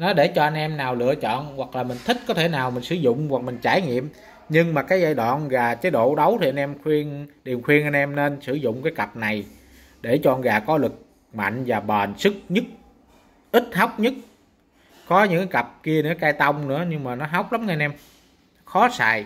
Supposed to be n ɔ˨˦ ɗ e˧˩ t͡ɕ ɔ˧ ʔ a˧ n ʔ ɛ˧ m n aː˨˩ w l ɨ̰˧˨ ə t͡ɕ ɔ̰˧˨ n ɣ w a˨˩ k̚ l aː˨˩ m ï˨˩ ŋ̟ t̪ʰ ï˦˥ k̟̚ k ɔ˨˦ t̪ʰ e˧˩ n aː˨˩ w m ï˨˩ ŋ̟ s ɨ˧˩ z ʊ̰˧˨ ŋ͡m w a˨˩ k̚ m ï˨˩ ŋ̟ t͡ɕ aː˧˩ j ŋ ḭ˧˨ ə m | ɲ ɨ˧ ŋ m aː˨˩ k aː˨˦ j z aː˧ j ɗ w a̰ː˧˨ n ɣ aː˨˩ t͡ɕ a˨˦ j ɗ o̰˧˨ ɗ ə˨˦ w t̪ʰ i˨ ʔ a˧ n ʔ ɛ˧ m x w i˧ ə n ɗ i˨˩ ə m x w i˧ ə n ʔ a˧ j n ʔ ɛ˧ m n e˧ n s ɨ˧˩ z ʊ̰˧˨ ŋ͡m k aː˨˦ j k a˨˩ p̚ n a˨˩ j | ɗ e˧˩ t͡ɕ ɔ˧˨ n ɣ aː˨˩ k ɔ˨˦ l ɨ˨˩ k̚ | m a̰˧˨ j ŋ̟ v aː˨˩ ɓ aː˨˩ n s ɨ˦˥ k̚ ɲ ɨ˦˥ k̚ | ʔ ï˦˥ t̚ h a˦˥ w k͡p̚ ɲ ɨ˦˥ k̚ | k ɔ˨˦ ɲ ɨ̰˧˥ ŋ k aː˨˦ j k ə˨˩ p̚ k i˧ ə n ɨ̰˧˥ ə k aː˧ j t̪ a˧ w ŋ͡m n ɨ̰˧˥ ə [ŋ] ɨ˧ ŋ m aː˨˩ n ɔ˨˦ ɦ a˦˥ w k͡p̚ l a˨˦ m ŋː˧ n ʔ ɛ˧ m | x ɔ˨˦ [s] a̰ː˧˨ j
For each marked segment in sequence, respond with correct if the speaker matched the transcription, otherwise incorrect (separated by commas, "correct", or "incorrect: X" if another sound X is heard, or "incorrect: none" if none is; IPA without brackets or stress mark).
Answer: incorrect: ɲ, correct